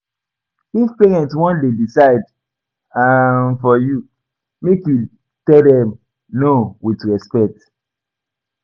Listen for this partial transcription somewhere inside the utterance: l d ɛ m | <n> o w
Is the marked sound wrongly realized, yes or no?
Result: no